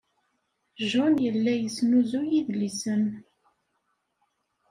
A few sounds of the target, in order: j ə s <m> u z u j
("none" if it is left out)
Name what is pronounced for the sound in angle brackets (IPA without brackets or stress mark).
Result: n